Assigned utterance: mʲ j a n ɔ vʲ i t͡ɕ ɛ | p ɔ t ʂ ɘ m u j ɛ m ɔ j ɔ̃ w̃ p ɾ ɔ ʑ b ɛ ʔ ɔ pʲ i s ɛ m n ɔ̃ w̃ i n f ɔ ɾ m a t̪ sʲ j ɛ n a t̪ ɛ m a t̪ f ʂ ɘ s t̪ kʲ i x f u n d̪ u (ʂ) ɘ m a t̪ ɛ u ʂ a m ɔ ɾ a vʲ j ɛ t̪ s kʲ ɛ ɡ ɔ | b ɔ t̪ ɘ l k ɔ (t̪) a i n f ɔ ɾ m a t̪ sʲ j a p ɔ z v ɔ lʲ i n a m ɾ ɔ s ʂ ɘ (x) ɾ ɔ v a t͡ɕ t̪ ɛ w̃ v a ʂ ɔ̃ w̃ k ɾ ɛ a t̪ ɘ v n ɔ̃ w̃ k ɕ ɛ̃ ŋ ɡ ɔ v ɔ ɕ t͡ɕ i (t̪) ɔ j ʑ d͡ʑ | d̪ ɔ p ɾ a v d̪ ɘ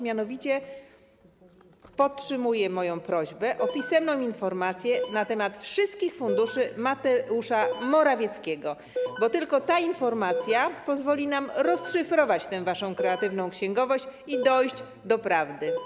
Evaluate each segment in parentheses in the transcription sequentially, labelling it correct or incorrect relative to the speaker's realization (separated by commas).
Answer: correct, correct, incorrect, incorrect